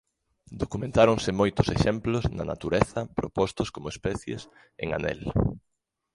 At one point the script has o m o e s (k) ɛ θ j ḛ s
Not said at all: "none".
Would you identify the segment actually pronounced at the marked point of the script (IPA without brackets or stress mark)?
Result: p